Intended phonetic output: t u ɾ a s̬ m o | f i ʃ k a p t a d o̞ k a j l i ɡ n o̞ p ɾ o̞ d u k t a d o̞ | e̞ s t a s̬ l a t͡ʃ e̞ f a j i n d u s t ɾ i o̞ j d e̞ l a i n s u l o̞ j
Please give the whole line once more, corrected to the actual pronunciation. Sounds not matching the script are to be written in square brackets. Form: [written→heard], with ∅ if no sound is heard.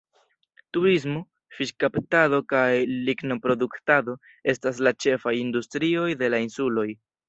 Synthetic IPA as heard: t u ɾ [a→i] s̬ m o | f i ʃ k a p t a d o̞ k a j l i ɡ n o̞ p ɾ o̞ d u k t a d o̞ | e̞ s t a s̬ l a t͡ʃ e̞ f a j i n d u s t ɾ i o̞ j d e̞ l a i n s u l o̞ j